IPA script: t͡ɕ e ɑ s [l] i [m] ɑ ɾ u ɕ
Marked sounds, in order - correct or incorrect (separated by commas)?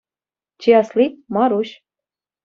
correct, correct